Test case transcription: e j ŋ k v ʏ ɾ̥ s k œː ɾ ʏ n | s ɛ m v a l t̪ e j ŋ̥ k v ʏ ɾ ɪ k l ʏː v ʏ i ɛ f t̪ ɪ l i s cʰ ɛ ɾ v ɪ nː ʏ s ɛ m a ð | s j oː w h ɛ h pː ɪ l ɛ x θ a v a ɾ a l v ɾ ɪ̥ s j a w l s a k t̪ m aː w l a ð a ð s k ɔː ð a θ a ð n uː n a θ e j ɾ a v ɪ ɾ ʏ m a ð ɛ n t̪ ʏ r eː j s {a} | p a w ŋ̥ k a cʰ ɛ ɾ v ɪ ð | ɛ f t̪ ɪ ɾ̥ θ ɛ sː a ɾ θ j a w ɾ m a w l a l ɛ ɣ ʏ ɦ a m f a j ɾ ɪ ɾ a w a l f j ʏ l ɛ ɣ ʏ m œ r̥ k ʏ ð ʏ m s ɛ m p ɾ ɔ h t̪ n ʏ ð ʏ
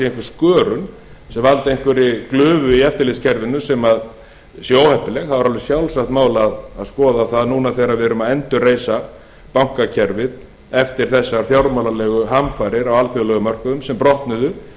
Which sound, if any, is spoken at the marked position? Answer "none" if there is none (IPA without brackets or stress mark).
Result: a